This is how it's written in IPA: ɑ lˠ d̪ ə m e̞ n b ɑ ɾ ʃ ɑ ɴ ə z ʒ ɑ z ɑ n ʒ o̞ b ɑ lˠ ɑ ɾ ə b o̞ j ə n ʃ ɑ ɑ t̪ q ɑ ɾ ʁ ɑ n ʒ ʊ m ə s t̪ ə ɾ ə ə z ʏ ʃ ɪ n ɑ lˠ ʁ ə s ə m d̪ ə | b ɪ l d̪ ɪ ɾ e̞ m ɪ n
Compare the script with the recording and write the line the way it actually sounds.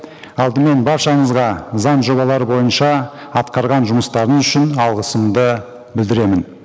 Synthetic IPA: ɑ lˠ d̪ ə m e̞ n b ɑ ɾ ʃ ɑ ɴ ə z ʁ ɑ z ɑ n ʒ o̞ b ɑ lˠ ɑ ɾ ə b o̞ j ə n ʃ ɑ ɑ t̪ q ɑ ɾ ʁ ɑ n ʒ ʊ m ə s t̪ ɑ ɾ ə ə z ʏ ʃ ɪ n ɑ lˠ ʁ ə s ə m d̪ ə | b ɪ l d̪ ɪ ɾ e̞ m ɪ n